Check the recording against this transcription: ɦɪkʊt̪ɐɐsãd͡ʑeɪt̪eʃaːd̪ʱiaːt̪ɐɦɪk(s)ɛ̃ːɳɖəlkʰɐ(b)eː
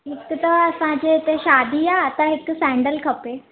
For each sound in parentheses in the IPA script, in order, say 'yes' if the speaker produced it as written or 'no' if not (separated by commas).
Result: yes, no